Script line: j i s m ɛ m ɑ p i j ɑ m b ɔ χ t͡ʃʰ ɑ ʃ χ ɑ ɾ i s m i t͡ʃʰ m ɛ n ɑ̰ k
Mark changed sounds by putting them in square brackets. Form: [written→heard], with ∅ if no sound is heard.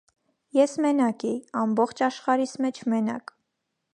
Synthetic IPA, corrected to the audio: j [i→ɛ] s m ɛ [m→n] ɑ [p→k] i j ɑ m b ɔ χ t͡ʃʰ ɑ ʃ χ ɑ ɾ i s m [i→ɛ] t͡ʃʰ m ɛ n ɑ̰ k